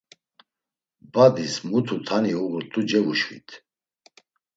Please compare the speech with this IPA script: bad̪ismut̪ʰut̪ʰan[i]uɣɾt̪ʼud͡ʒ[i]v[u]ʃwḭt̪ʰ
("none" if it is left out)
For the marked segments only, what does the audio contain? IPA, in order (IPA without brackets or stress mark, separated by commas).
i, ɛ, u